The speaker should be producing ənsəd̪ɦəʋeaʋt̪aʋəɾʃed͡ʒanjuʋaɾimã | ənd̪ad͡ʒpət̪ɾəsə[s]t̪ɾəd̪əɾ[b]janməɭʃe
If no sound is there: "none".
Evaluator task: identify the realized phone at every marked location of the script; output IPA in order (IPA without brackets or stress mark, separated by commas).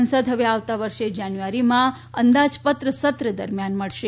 none, m